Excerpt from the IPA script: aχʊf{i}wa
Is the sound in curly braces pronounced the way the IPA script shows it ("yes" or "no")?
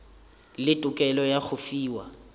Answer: no